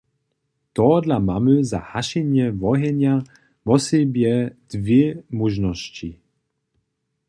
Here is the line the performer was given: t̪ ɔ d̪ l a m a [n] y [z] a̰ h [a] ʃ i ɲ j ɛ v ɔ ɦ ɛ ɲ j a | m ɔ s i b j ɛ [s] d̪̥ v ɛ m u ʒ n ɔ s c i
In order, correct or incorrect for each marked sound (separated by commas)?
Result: incorrect, correct, correct, incorrect